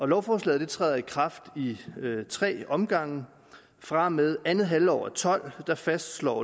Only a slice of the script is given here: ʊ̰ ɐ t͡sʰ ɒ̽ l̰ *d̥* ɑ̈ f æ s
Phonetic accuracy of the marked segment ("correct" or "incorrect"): correct